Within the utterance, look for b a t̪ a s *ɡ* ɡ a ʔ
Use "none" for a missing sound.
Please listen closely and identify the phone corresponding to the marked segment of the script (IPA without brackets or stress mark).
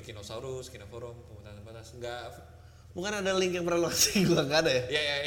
ŋ